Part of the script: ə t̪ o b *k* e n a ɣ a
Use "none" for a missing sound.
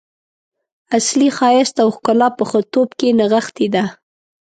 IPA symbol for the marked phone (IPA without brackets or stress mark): k